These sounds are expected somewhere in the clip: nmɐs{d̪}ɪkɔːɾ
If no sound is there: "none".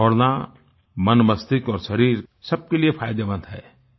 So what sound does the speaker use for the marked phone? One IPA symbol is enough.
t̪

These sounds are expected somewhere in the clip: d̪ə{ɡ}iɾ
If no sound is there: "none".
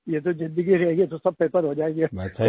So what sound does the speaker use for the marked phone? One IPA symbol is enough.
ɡ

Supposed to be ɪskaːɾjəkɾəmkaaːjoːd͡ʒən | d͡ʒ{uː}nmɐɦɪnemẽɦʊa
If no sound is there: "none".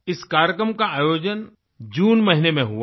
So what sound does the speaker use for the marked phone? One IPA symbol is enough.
uː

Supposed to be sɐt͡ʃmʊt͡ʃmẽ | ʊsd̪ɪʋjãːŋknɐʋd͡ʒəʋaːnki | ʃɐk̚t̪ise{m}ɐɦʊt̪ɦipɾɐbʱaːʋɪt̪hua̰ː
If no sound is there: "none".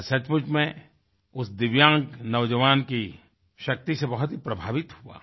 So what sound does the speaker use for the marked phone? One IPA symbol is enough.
b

